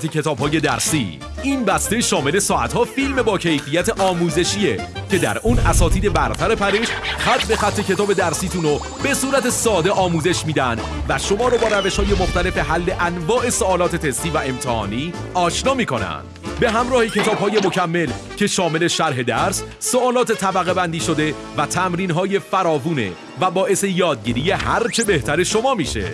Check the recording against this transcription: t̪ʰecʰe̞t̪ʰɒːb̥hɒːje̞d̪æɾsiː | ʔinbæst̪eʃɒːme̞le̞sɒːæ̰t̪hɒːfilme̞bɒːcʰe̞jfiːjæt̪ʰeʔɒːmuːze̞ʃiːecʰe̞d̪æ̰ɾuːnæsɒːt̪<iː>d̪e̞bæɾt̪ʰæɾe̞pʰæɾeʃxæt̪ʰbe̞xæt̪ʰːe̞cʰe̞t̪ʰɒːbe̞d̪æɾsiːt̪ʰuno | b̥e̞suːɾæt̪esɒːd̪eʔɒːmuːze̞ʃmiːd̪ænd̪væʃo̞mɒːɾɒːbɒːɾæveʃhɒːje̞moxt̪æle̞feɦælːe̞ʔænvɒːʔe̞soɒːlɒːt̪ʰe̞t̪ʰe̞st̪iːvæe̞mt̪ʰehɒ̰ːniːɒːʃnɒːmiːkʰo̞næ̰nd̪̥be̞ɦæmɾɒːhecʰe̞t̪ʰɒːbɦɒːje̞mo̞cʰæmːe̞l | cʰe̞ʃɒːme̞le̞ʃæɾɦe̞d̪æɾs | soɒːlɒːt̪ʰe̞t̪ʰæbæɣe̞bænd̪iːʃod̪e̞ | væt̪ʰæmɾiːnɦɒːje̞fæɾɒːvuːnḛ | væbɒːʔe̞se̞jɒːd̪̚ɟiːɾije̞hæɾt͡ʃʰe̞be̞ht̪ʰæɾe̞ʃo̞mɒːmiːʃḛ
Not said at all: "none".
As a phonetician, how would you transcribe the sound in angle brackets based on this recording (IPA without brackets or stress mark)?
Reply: iː